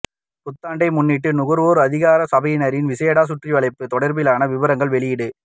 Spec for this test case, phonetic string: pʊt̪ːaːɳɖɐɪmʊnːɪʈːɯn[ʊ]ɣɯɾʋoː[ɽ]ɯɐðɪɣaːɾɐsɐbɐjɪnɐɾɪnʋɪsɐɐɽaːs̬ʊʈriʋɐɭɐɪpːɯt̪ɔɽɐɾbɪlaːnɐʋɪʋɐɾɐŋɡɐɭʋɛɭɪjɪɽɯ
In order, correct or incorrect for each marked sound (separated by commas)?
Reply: correct, incorrect